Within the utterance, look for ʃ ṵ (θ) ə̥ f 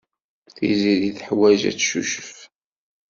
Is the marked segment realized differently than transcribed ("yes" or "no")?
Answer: yes